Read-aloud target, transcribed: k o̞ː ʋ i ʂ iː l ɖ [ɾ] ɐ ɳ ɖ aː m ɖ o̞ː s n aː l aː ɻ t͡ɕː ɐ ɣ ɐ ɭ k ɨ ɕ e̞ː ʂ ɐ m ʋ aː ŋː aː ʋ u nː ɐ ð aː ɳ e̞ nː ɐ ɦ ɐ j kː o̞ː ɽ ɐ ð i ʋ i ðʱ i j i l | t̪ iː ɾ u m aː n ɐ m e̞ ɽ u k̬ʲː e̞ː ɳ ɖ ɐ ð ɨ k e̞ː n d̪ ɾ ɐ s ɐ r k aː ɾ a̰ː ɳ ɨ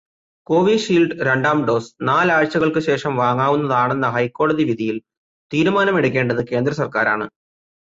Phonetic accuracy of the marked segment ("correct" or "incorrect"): correct